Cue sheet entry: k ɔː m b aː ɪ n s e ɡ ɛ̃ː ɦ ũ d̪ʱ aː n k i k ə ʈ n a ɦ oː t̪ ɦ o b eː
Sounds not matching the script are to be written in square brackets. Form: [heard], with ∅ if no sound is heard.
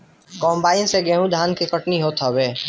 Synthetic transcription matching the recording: k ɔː m b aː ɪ n s e ɡ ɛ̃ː ɦ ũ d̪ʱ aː n k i k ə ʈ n [i] ɦ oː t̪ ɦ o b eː

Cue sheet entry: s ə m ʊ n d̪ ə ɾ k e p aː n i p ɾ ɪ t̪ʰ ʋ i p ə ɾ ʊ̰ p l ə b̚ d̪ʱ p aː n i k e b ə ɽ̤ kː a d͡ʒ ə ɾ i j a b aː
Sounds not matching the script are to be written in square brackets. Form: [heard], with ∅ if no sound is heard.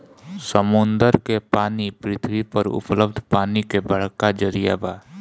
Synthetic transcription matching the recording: s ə m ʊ n d̪ ə ɾ k e p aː n i p ɾ ɪ t̪ʰ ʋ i p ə ɾ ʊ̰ p l ə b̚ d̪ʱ p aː n i k e b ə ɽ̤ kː a d͡ʒ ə ɾ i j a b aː

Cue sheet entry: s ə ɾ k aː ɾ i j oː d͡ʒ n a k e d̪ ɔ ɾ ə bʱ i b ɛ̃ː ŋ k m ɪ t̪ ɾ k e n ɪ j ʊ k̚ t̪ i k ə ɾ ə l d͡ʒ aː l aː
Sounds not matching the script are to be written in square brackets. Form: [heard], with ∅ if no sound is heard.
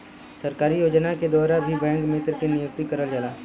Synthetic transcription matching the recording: s ə ɾ k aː ɾ i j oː d͡ʒ n a k e d̪ [ɔː] ɾ [a] bʱ i b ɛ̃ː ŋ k m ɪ t̪ ɾ k e n ɪ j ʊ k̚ t̪ i k ə ɾ ə l d͡ʒ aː l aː

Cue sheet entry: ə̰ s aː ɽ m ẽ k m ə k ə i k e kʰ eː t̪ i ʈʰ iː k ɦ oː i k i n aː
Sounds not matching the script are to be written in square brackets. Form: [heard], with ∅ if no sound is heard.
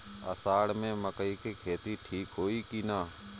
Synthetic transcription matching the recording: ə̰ s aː ɽ m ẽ [∅] m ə k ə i k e kʰ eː t̪ i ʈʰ iː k ɦ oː i k i n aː

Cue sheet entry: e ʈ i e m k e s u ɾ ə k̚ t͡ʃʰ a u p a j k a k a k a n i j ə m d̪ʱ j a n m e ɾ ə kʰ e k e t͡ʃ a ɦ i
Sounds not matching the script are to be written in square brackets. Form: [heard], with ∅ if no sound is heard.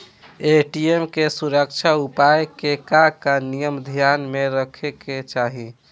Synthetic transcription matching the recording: e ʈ i e m k e s u ɾ ə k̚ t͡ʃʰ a u p a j k [e] k a k a n i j ə m d̪ʱ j a n m e ɾ ə kʰ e k e t͡ʃ a ɦ i

